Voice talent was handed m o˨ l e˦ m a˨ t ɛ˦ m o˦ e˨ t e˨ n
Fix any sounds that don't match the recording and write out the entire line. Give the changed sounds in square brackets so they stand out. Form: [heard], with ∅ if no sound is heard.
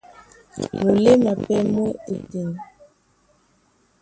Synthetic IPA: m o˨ l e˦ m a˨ [p] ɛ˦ m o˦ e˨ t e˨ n